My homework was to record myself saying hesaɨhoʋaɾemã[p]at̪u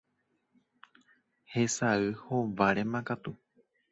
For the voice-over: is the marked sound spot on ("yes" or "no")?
no